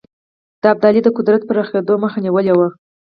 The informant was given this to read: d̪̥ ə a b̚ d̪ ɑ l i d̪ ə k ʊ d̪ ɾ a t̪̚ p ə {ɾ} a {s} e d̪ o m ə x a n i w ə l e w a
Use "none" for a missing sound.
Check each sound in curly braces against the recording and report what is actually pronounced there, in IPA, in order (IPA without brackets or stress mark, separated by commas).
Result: ɾ, x